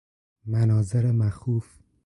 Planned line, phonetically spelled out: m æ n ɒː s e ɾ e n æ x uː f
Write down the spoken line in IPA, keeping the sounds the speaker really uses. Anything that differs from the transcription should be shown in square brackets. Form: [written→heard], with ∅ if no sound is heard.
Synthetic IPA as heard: m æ n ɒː [s→z] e ɾ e [n→m] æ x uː f